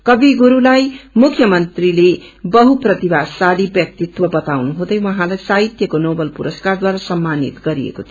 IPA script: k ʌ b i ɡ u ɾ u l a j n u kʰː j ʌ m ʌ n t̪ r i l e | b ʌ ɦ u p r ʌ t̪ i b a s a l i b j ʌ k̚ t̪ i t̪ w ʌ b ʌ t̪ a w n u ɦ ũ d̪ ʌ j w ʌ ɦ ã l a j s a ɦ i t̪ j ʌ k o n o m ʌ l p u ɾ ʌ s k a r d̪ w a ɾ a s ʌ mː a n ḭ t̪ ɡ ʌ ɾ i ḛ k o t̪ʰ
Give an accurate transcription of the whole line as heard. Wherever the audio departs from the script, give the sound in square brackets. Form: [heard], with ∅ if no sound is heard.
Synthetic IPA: k ʌ b i ɡ u ɾ u l a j [m] u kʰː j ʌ m ʌ n t̪ r i l e | b ʌ ɦ u p r ʌ t̪ i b a s a l i b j ʌ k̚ t̪ i t̪ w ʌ b ʌ t̪ a w n u ɦ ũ d̪ ʌ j w ʌ ɦ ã l a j s a ɦ i t̪ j ʌ k o n o [b] ʌ l p u ɾ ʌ s k a r d̪ w a ɾ a s ʌ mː a n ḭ t̪ ɡ ʌ ɾ i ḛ k o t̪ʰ